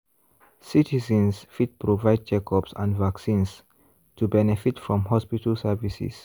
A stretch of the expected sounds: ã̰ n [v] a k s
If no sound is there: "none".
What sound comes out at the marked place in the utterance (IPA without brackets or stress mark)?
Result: v